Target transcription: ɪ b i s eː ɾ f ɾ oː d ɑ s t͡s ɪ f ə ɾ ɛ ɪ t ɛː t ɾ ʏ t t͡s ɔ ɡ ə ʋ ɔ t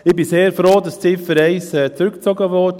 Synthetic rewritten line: ɪ b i s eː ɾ f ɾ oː d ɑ s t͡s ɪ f ə ɾ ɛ ɪ s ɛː t͡s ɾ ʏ k t͡s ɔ ɡ ə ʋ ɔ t